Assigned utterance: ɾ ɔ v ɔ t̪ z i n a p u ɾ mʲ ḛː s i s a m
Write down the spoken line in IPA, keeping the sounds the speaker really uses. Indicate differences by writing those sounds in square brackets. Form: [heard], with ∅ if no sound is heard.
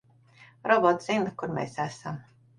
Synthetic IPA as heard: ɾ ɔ [b] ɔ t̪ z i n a [k] u ɾ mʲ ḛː s [æ] s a m